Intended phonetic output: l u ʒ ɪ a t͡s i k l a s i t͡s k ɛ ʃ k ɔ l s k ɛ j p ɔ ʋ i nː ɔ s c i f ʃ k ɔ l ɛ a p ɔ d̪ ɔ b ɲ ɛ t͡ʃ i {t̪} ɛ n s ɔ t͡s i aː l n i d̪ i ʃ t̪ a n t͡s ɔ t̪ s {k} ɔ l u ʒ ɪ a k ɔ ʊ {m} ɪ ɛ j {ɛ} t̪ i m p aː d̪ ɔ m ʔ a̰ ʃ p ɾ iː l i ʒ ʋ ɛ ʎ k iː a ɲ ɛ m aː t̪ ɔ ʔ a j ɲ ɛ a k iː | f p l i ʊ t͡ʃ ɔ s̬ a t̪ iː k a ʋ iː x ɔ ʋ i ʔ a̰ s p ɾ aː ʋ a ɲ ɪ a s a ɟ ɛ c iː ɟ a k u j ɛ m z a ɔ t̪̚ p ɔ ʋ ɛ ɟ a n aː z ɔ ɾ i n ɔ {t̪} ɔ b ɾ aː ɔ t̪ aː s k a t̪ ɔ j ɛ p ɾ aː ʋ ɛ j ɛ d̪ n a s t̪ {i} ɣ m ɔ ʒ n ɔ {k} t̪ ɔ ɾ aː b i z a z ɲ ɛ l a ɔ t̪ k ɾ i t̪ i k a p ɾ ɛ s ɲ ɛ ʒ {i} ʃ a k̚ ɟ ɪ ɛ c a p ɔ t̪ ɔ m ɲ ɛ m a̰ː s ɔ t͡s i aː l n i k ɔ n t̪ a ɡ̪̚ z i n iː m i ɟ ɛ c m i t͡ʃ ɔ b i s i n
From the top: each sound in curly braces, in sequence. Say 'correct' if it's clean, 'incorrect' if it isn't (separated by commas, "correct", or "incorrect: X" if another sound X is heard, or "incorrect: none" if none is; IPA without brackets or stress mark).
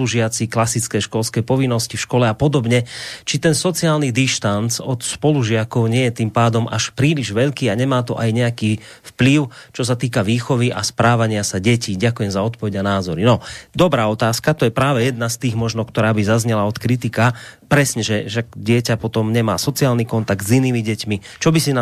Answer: correct, incorrect: p, incorrect: ɲ, correct, incorrect: d̪, incorrect: iː, correct, incorrect: ɛ